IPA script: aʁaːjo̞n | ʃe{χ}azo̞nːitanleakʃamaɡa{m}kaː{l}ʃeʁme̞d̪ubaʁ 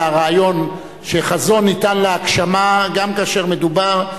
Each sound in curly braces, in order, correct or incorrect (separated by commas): correct, correct, incorrect